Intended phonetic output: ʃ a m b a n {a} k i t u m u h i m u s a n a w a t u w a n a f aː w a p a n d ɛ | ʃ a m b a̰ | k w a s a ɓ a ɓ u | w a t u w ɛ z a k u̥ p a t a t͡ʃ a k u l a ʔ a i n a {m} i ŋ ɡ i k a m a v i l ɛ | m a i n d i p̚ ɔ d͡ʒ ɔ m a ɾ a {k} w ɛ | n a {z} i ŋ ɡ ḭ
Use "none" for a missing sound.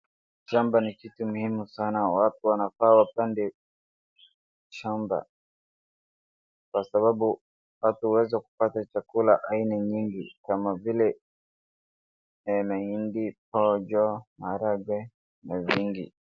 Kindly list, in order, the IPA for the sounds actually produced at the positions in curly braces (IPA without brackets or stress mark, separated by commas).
i, ɲ, ɡ, v